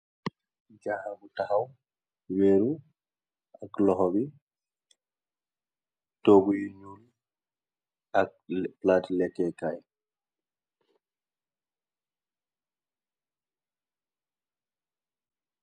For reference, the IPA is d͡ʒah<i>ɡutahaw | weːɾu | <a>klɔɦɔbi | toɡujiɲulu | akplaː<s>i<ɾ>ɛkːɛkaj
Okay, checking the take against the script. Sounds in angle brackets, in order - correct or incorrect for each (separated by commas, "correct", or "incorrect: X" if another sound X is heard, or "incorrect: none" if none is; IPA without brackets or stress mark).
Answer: incorrect: a, correct, incorrect: t, incorrect: l